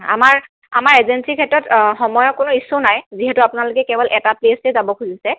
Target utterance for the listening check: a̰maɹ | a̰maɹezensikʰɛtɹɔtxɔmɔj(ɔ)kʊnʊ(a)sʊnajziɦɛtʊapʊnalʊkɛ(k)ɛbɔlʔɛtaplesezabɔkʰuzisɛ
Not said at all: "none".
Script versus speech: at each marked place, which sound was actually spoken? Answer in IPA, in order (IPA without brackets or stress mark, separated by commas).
ɔ, i, k